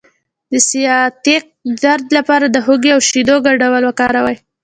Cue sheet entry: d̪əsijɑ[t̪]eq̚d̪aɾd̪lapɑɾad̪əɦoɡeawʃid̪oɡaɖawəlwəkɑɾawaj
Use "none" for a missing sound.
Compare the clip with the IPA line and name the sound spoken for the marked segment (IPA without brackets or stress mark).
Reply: t̪